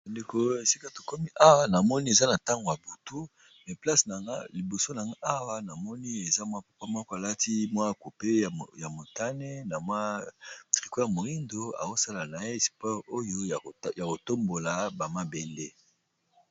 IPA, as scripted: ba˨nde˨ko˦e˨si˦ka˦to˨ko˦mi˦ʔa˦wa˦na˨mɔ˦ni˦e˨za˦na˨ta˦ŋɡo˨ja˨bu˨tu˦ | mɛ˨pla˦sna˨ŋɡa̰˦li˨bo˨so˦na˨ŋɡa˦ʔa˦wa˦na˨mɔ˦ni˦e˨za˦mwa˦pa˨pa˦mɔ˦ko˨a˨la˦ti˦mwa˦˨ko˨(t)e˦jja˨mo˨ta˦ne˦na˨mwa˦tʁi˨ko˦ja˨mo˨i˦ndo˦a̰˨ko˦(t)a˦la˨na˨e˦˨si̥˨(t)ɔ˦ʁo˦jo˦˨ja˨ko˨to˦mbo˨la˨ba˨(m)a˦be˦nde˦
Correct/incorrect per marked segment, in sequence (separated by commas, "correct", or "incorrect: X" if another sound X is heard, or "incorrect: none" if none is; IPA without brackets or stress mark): incorrect: p, incorrect: s, incorrect: p, correct